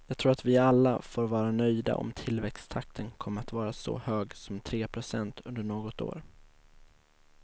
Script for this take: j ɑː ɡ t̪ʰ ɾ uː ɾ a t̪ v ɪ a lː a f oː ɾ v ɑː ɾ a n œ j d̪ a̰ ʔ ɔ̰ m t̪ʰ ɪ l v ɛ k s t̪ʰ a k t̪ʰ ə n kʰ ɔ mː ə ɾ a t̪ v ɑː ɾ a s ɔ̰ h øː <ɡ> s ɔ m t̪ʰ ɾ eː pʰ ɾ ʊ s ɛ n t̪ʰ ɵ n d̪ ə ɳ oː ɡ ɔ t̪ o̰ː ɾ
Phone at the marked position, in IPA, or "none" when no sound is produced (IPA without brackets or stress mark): ɡ